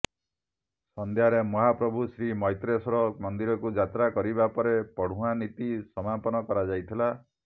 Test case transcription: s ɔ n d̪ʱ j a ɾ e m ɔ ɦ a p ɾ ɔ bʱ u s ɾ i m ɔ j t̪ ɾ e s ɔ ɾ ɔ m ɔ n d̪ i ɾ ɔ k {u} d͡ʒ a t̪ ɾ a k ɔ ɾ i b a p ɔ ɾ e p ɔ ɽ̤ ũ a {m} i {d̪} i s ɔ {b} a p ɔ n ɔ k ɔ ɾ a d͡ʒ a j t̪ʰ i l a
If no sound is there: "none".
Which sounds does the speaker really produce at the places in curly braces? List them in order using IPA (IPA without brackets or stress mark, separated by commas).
u, n, t̪, m